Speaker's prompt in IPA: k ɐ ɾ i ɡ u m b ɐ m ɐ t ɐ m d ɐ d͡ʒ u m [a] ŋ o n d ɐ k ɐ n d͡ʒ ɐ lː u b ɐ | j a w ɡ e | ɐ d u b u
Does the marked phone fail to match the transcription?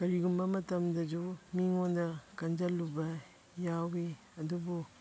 yes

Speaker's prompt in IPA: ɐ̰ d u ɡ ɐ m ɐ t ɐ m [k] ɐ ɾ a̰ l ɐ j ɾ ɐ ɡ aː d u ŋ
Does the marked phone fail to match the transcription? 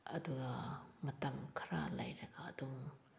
yes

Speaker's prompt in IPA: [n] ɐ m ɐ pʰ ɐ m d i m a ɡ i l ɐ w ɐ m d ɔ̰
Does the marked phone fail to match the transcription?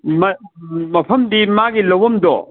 yes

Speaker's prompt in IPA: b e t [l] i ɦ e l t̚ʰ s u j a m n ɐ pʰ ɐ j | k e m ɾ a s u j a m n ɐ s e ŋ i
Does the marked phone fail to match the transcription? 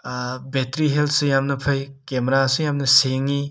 yes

